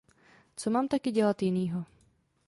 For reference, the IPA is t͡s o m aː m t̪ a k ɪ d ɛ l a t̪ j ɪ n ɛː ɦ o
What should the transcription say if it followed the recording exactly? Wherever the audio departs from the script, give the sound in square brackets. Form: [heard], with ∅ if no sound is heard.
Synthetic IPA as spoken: t͡s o m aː m t̪ a k ɪ [ɟ] ɛ l a t̪ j ɪ n [iː] ɦ o